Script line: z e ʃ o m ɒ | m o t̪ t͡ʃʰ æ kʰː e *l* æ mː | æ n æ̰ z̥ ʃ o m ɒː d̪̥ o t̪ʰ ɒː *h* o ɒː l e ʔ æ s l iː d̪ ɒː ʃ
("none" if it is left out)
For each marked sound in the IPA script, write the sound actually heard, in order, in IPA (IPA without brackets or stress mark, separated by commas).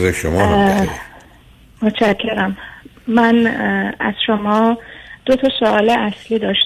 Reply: ɾ, s